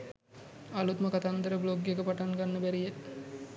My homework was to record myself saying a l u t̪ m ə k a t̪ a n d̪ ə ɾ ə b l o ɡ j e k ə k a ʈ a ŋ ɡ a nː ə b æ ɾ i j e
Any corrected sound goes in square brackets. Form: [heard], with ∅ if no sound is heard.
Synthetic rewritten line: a l u t̪ m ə k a t̪ a n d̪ ə ɾ ə b l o ɡ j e k ə [p] a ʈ a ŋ ɡ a nː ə b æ ɾ i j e